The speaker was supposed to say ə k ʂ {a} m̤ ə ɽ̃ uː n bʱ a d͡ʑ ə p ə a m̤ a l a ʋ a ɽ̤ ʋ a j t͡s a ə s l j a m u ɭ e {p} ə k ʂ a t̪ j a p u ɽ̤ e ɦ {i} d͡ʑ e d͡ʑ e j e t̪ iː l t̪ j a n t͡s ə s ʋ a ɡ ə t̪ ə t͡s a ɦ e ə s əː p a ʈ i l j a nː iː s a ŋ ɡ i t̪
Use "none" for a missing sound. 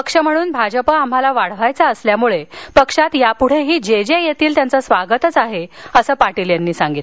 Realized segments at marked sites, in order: ə, p, iː

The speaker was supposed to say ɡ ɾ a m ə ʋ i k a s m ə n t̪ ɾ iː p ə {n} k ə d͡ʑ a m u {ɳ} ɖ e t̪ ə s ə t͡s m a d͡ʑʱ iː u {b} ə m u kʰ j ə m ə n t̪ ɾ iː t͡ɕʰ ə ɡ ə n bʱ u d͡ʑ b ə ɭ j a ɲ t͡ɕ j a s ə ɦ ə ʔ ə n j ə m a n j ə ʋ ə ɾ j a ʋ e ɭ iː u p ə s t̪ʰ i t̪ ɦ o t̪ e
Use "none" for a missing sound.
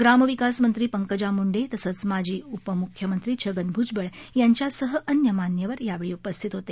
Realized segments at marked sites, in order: ŋ, ɳ, p

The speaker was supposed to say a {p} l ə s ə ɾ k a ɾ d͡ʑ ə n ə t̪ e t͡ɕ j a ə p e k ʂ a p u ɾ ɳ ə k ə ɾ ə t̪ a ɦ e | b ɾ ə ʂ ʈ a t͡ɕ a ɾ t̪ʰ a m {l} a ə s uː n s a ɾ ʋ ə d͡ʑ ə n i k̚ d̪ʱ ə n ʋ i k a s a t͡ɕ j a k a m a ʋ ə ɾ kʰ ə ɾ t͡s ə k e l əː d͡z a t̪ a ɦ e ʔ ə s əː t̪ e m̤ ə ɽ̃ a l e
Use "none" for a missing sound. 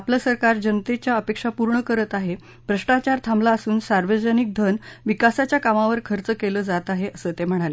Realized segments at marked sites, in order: p, l

